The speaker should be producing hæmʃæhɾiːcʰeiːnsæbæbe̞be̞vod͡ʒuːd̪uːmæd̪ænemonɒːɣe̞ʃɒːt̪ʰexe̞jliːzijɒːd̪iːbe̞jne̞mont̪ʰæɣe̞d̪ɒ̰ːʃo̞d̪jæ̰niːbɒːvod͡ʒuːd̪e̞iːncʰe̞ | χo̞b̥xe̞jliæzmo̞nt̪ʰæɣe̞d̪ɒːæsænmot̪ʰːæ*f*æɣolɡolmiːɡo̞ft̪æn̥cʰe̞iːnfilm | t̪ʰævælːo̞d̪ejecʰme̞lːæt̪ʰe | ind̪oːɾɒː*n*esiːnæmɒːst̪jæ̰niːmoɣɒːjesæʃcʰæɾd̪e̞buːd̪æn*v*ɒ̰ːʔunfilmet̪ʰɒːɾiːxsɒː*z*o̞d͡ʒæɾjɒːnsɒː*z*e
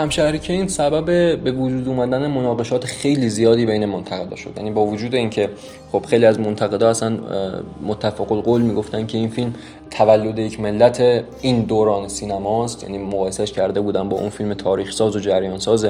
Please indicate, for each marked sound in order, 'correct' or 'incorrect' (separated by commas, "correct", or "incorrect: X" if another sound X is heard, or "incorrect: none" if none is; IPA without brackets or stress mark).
correct, correct, incorrect: b, correct, correct